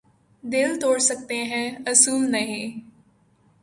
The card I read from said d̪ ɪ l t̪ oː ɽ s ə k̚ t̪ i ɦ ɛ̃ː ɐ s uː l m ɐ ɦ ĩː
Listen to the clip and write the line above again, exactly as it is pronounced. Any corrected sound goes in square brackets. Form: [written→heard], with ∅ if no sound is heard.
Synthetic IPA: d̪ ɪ l t̪ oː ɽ s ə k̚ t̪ [i→e] ɦ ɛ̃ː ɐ s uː l [m→n] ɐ ɦ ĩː